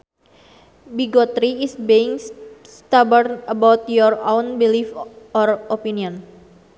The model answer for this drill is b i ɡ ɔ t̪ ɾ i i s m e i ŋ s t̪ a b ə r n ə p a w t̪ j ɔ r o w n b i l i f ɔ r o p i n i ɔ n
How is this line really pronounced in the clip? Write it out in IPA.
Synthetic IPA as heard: b i ɡ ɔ t̪ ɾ i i s b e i ŋ s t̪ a b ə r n ə b a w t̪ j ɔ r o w n b i l i f ɔ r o p i n i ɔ n

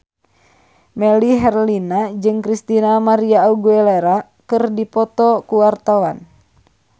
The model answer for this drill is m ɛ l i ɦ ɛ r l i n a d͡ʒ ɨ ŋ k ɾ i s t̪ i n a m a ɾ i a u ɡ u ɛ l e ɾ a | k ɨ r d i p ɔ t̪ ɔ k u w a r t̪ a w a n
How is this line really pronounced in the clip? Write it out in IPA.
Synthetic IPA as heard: m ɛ l i ɦ ɛ r l i n a d͡ʒ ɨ ŋ k ɾ i s t̪ i n a m a ɾ i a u ɡ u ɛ l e ɾ a | k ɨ r d i p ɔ t̪ ɔ k u w a r t̪ a w a n

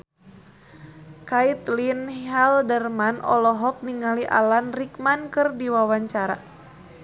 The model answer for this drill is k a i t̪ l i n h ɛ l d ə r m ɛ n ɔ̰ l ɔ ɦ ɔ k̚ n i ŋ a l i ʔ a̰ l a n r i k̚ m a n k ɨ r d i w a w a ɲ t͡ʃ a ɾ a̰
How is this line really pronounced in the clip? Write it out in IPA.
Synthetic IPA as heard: k a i t̪ l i n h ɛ l d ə r m a n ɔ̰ l ɔ ɦ ɔ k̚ n i ŋ a l i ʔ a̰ l a n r i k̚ m a n k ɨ r d i w a w a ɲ t͡ʃ a ɾ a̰

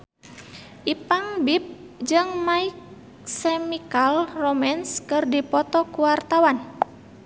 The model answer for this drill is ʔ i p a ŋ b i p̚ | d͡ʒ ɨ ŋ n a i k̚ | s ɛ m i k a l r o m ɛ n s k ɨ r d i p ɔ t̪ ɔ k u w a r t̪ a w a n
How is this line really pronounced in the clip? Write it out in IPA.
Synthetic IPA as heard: ʔ i p a ŋ b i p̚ | d͡ʒ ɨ ŋ m a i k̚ | s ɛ m i k a l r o m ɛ n s k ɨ r d i p ɔ t̪ ɔ k u w a r t̪ a w a n

